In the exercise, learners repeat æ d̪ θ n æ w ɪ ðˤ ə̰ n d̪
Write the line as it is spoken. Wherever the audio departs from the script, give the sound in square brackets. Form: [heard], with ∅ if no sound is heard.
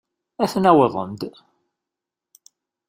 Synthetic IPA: æ [∅] θ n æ w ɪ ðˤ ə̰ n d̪